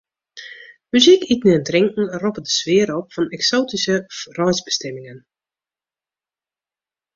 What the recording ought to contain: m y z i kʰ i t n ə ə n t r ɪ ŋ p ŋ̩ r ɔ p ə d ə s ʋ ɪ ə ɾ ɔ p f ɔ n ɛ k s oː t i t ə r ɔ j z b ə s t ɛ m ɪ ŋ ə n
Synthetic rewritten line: m y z i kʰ i t n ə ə n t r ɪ ŋ k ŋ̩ r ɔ p ə d ə s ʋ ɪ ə ɾ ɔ p f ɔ n ɛ k s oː t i s ə r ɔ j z b ə s t ɛ m ɪ ŋ ə n